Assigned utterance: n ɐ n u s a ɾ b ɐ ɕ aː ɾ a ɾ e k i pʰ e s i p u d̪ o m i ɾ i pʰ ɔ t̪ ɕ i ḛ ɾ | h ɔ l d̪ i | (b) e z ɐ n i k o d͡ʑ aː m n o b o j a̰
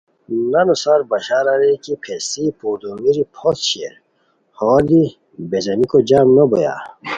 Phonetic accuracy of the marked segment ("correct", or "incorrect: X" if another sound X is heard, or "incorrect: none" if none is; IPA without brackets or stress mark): correct